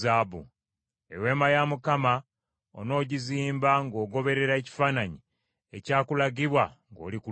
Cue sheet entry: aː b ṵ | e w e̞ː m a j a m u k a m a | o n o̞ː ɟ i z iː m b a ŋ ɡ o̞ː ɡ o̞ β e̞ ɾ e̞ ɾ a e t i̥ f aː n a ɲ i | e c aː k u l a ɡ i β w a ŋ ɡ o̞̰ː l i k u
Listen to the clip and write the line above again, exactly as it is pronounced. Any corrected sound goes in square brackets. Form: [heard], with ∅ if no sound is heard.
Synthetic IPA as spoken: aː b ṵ | e w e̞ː m a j a m u k a m a | o n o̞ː ɟ i z iː m b a ŋ ɡ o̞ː ɡ o̞ β e̞ ɾ e̞ ɾ a e [c] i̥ f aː n a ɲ i | e c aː k u l a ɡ i β w a ŋ ɡ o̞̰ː l i k u